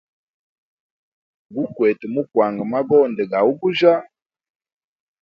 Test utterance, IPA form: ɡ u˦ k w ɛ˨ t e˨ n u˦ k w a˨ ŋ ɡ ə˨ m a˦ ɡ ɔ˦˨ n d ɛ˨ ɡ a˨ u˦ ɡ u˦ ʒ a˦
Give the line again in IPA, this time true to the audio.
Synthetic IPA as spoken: ɡ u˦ k w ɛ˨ t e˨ m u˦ k w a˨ ŋ ɡ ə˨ m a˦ ɡ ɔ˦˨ n d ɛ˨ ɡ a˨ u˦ ɡ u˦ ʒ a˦

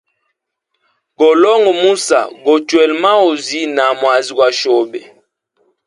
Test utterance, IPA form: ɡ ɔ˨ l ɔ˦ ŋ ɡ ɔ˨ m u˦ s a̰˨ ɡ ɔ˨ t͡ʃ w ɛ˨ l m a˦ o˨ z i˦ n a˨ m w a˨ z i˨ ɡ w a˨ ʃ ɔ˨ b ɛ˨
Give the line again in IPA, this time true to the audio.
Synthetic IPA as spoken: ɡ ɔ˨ l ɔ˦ ŋ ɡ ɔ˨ m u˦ s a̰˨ ɡ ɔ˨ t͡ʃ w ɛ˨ l m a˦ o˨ z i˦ n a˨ m w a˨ z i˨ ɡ w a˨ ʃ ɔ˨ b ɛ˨

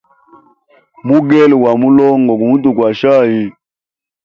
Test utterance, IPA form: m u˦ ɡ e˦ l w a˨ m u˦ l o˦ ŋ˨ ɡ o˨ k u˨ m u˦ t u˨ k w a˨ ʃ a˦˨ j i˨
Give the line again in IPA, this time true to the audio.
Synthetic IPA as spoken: m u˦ ɡ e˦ l w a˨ m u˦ l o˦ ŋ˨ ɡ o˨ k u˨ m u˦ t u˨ k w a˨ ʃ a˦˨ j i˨

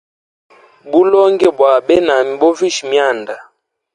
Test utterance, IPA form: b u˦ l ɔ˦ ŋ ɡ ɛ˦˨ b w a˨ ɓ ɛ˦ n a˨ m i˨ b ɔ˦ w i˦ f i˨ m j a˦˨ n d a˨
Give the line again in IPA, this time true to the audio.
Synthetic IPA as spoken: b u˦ l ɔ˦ ŋ ɡ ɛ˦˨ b w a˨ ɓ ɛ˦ n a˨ m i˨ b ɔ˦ v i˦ ʃ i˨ m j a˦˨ n d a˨

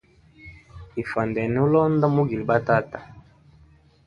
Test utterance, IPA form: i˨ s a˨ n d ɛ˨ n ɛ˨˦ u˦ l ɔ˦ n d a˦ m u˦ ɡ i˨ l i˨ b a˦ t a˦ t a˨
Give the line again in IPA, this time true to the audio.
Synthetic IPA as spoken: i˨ f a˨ n d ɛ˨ n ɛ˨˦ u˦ l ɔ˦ n d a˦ m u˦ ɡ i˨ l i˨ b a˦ t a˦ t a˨

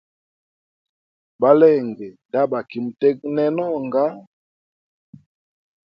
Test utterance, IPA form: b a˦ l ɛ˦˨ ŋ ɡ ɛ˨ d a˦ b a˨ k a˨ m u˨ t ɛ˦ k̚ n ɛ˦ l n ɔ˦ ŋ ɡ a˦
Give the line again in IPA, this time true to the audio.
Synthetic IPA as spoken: b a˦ l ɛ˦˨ ŋ ɡ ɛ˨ d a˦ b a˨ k i˨ m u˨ t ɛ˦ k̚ n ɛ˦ n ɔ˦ ŋ ɡ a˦

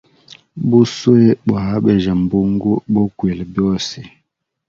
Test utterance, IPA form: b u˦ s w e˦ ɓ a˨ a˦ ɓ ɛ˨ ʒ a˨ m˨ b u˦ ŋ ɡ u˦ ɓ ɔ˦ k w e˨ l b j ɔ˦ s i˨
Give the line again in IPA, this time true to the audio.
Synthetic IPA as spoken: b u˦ s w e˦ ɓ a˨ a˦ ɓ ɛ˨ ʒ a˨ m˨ b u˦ ŋ ɡ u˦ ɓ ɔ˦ k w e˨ l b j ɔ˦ s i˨

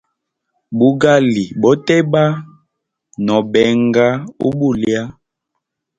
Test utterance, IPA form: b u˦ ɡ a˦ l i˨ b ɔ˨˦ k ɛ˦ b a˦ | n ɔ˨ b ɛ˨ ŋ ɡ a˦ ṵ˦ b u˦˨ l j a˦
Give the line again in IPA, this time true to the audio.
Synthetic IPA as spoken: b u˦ ɡ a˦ l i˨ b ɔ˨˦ t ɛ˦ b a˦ | n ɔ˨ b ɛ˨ ŋ ɡ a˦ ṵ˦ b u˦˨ l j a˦

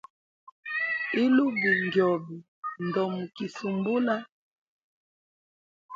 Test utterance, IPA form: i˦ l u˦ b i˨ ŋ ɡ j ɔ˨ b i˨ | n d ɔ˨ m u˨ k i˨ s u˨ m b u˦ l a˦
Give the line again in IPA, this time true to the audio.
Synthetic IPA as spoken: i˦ l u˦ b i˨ ŋ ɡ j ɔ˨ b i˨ | n d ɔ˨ m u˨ k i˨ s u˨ m b u˦ l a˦

